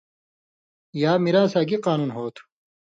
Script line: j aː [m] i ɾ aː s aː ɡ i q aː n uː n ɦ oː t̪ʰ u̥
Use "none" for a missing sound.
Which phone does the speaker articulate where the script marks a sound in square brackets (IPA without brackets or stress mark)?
m